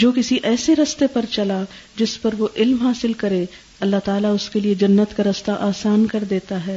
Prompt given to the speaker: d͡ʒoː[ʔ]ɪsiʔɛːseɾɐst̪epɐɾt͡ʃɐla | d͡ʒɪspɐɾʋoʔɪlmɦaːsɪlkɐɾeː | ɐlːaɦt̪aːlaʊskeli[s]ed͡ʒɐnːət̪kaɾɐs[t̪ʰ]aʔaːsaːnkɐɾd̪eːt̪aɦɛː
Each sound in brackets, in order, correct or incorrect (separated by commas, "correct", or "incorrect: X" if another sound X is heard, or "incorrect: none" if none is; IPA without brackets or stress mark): incorrect: k, incorrect: none, incorrect: t̪